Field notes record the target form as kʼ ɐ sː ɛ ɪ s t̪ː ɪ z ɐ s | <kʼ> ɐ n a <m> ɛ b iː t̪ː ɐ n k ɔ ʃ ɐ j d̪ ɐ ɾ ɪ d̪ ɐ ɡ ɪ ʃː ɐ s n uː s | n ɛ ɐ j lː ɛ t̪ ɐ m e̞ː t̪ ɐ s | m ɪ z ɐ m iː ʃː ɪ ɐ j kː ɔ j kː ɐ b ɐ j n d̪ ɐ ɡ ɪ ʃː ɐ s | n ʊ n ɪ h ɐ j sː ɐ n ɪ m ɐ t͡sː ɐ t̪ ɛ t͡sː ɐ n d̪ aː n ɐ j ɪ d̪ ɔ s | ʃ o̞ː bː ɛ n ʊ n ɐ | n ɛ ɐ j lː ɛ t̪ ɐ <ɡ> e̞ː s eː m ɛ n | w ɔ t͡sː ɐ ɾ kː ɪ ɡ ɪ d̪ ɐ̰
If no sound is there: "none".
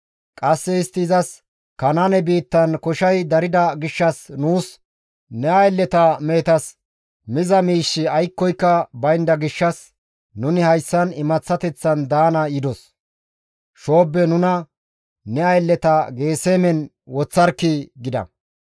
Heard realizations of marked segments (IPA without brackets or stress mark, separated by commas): k, n, ɡ